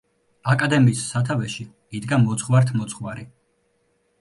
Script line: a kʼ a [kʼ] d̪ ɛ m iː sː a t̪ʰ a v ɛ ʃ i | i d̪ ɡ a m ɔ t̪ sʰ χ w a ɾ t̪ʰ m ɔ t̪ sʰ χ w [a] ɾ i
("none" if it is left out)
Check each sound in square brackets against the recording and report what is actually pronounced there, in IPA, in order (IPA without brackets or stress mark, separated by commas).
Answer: none, a